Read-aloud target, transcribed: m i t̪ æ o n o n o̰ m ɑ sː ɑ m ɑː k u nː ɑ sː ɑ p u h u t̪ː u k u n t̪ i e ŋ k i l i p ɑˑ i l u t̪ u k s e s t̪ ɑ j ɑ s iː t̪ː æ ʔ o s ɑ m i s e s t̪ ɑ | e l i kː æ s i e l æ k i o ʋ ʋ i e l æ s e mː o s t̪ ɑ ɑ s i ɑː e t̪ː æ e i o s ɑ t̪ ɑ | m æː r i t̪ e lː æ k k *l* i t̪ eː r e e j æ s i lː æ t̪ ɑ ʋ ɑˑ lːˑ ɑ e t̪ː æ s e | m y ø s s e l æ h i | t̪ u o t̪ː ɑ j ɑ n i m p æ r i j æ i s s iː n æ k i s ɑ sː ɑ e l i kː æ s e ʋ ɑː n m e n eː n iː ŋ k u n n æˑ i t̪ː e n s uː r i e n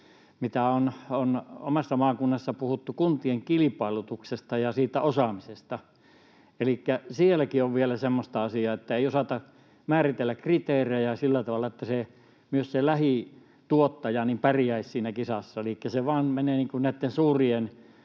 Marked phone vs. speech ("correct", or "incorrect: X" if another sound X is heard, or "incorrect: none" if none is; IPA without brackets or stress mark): incorrect: r